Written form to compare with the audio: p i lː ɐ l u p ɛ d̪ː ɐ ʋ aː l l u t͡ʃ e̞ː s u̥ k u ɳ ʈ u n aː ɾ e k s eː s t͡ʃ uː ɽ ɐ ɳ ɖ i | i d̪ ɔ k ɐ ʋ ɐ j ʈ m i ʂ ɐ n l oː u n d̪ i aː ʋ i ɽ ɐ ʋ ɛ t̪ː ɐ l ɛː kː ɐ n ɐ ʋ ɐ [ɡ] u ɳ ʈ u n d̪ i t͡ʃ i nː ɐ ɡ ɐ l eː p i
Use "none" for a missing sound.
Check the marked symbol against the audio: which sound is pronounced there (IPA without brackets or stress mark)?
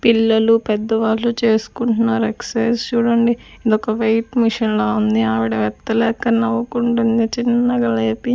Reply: k